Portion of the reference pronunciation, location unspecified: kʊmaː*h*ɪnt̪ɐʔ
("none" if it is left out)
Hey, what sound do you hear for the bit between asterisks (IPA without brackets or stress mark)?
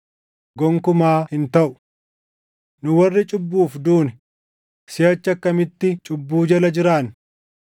h